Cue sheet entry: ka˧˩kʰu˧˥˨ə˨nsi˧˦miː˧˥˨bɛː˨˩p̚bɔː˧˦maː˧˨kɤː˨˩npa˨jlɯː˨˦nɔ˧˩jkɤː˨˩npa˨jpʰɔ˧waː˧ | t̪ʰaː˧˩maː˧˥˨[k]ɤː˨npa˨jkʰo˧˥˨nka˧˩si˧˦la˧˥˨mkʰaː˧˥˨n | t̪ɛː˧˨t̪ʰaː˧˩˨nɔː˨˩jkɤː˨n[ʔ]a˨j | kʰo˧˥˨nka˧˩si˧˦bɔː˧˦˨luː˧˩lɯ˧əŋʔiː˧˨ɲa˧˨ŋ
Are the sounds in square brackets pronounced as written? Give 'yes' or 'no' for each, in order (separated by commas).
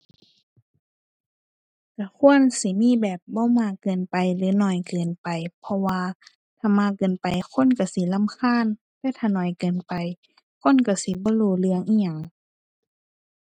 yes, no